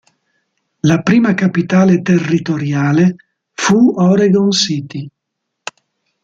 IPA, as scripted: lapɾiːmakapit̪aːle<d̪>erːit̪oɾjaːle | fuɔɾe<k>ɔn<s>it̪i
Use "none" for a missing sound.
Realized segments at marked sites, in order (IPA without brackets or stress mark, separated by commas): t̪, ɡ, s